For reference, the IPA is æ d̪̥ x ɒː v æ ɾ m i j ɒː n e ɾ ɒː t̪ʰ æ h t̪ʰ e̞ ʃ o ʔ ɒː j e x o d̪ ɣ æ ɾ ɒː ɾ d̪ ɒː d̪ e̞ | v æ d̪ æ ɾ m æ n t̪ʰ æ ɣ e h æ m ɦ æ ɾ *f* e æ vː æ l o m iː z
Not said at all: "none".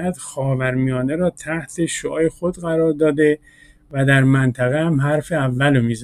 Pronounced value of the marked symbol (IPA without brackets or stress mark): f